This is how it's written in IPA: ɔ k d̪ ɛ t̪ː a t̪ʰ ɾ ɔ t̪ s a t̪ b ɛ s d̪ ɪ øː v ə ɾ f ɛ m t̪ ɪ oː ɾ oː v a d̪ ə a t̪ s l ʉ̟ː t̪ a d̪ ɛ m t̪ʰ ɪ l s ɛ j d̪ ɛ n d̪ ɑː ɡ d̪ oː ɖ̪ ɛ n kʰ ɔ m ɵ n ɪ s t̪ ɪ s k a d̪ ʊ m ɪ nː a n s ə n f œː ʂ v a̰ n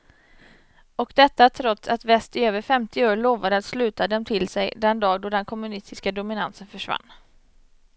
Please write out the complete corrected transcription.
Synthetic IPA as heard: ɔ k d̪ ɛ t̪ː a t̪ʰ ɾ ɔ t̪ s a t̪ v ɛ s t̪ ɪ øː v ə ɾ f ɛ m t̪ ɪ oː ɭ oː v a d̪ ə a t̪ s l ʉ̟ː t̪ a d̪ ɛ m t̪ʰ ɪ l s ɛ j d̪ ɛ n d̪ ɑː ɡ d̪ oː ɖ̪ ɛ n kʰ ɔ m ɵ n ɪ s t̪ ɪ s k a d̪ ʊ m ɪ n a n s ə n f œ ʂ v a̰ nː